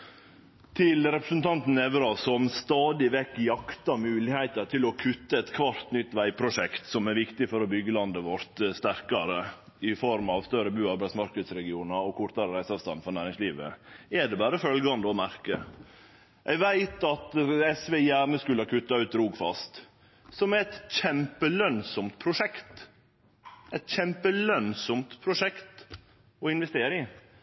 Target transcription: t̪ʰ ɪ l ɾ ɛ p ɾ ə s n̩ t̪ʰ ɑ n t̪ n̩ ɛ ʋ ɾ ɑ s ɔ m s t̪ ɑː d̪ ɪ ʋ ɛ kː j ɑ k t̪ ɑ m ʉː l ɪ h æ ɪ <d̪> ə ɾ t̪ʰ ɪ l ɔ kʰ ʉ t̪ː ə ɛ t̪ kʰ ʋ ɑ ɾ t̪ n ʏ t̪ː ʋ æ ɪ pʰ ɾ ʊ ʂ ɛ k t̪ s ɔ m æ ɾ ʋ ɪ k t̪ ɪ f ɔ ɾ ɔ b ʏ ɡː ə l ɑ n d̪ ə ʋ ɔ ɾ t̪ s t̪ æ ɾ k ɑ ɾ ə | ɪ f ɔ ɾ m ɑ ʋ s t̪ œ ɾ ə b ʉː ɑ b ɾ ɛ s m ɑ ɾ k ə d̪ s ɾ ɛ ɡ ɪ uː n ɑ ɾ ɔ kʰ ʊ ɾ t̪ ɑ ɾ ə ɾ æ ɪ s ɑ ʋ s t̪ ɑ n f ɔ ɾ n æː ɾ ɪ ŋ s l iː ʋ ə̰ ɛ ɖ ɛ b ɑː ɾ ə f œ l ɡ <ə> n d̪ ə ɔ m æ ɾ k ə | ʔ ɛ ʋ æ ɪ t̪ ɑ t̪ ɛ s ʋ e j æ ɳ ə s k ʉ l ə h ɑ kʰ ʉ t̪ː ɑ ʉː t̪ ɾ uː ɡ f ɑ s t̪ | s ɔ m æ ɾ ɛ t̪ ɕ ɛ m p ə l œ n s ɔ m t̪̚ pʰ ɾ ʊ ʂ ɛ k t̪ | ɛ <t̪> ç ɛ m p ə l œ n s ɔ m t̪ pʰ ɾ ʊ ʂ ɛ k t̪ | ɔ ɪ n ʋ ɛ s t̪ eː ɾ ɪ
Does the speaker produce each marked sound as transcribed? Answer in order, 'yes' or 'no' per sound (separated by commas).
no, no, yes